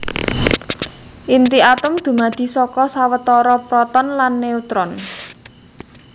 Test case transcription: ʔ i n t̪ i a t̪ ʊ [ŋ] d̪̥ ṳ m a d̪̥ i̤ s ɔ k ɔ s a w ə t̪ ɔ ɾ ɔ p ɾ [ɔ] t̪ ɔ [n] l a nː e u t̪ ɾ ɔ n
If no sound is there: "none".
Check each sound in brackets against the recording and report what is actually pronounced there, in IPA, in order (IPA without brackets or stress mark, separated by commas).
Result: m, ɔ, n